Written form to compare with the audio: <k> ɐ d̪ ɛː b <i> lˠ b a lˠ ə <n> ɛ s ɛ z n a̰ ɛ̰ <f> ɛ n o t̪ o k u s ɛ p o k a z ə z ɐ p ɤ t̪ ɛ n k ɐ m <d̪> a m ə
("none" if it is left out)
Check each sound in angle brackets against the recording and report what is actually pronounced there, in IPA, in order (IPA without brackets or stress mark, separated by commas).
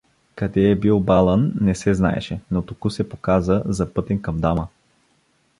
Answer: k, i, nː, ʃ, d̪